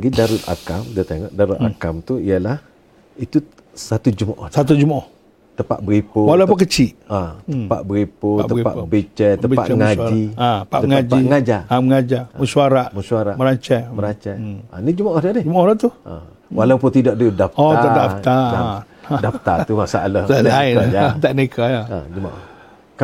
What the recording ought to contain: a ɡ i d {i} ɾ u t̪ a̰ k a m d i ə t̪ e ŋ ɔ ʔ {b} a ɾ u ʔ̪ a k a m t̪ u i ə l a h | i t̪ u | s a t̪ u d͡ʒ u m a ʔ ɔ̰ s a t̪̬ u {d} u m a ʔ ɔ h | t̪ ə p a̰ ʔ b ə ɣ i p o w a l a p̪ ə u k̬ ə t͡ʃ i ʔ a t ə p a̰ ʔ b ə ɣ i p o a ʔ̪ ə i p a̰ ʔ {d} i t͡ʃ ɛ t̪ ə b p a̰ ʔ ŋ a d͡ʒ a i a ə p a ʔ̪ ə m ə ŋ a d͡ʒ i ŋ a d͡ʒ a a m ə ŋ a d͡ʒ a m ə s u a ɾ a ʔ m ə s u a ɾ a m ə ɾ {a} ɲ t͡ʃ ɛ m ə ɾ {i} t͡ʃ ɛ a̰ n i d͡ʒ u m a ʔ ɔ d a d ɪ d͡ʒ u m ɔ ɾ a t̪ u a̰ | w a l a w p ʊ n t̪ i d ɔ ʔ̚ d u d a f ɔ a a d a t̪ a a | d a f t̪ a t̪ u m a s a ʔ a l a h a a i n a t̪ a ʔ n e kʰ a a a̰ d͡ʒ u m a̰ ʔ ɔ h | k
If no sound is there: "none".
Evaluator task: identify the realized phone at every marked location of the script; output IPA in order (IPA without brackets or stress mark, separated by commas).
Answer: a, d, d͡ʒ, b, a, a